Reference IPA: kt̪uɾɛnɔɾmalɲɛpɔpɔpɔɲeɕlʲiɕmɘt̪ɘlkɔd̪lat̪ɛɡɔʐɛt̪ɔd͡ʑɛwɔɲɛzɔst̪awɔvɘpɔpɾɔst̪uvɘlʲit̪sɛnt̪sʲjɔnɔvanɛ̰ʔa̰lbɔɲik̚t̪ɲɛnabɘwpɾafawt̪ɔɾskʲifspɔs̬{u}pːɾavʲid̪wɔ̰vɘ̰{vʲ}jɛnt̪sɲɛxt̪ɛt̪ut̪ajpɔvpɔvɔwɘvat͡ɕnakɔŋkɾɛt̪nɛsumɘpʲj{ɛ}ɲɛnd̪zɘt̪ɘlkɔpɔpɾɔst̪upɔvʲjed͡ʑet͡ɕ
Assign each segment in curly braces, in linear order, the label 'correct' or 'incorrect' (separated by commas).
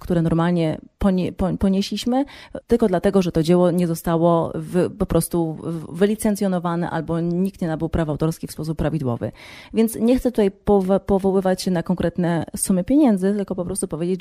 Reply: correct, correct, incorrect